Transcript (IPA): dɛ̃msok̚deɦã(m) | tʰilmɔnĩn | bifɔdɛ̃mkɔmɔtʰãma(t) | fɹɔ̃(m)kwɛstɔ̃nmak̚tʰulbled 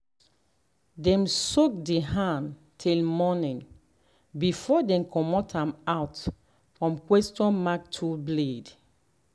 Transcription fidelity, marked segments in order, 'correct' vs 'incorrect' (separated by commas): incorrect, correct, correct